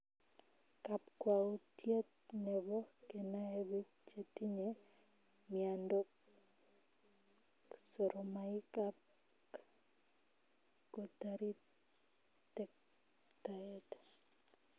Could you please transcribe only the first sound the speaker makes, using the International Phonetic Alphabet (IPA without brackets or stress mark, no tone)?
k